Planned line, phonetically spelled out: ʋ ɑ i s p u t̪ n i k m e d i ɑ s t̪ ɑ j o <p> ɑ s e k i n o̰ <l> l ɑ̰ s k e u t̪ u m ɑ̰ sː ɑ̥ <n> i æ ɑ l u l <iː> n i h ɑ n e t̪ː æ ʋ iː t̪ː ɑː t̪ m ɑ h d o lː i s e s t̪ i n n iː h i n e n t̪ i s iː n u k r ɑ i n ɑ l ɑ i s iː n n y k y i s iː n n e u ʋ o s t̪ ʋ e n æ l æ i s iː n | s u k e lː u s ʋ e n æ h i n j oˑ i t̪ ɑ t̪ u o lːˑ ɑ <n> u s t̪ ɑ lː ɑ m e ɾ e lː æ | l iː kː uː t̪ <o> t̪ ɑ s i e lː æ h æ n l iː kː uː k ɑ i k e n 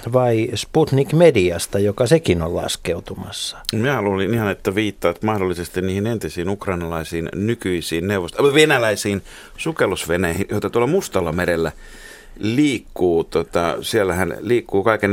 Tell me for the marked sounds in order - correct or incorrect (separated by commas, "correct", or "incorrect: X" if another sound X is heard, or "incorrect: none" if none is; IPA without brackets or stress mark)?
incorrect: k, correct, incorrect: m, incorrect: i, incorrect: m, correct